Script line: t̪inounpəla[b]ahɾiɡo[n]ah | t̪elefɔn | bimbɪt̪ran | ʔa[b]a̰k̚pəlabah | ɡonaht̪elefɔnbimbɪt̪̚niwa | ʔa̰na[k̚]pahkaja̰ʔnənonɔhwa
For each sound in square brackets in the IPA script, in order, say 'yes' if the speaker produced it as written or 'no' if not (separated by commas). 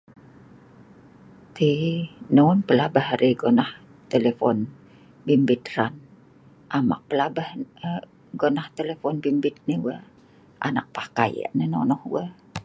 yes, yes, no, yes